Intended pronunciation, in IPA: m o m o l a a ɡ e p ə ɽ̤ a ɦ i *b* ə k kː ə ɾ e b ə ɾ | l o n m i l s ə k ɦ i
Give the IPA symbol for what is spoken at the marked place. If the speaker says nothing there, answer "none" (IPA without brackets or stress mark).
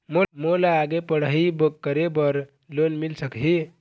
b